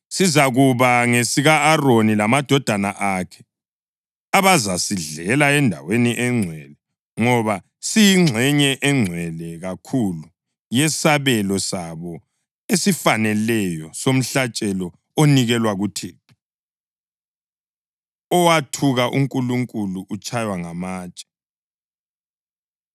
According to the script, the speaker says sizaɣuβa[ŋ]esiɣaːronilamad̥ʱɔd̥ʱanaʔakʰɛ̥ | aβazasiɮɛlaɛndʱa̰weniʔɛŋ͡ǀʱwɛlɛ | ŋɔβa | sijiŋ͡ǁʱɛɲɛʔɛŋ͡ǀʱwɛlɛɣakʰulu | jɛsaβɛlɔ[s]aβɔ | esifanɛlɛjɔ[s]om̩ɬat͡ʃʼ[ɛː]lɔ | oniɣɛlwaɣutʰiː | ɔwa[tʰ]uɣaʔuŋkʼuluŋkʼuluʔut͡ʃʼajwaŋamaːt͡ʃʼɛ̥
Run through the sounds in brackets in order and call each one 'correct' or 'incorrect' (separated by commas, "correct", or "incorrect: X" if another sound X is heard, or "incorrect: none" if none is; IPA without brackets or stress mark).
correct, correct, correct, incorrect: ɛ, correct